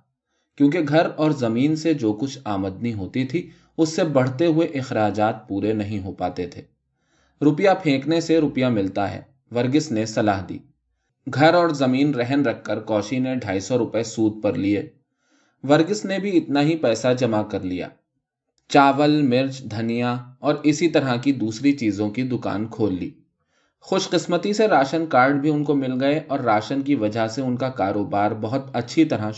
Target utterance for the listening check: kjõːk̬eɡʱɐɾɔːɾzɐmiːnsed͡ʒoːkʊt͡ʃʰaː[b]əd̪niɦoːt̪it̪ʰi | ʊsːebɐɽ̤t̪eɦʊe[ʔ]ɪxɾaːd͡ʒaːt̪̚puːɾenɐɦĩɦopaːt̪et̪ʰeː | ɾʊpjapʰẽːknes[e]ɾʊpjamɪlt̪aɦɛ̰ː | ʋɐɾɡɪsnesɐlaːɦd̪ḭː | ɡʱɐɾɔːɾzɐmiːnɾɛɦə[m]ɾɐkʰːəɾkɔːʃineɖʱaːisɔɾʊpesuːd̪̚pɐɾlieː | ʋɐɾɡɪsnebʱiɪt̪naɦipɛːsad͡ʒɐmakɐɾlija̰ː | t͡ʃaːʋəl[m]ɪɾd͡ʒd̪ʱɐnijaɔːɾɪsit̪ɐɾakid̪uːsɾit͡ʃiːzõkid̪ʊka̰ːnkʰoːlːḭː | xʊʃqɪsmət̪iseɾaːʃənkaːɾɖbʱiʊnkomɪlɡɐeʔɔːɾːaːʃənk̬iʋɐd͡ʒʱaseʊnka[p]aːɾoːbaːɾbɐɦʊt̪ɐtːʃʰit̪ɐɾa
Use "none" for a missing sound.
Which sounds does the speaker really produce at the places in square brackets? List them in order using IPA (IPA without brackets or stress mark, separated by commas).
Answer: m, ʔ, e, n, m, k